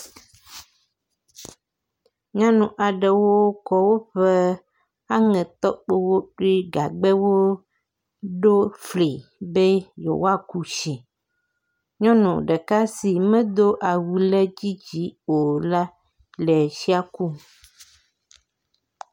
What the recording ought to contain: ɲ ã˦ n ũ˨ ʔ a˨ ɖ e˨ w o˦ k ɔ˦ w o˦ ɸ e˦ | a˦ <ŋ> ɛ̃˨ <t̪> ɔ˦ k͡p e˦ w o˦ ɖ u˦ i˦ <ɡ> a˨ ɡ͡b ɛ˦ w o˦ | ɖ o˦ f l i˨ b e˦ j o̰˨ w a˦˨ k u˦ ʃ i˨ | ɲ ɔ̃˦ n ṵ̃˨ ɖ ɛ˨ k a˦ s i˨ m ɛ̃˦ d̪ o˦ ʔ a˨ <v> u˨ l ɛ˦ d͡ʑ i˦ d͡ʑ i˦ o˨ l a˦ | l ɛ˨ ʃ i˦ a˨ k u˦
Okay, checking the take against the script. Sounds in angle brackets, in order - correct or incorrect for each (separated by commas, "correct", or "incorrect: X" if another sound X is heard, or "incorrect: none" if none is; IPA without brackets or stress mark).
correct, correct, correct, incorrect: w